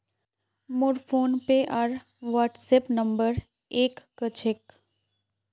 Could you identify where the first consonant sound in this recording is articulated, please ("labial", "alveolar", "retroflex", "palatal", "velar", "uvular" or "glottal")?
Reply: labial